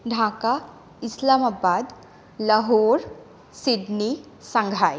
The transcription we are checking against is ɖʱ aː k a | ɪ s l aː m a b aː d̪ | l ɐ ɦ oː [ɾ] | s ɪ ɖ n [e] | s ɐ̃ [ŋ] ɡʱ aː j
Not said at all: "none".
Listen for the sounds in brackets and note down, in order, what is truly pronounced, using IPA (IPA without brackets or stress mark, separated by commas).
ɾ, i, ŋ